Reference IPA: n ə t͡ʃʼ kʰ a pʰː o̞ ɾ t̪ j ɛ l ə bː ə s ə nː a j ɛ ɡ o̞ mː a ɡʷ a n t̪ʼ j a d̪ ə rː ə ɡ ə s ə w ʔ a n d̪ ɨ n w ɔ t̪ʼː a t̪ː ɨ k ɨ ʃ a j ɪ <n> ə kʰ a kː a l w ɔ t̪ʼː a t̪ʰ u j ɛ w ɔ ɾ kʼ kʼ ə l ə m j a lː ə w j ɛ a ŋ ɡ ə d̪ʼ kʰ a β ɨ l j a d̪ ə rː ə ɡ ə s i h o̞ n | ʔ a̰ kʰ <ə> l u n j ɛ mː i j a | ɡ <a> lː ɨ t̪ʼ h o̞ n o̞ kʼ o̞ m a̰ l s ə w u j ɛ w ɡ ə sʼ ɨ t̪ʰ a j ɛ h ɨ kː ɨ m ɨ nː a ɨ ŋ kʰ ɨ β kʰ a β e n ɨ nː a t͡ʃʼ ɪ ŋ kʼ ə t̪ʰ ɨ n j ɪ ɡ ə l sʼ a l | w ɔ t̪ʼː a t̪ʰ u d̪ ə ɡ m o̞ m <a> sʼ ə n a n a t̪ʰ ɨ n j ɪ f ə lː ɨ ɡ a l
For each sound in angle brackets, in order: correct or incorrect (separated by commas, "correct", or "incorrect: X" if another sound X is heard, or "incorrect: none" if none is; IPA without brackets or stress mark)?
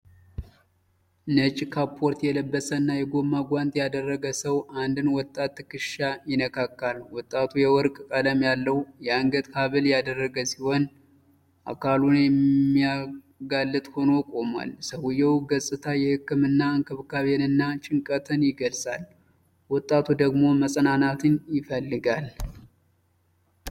correct, incorrect: a, correct, incorrect: ə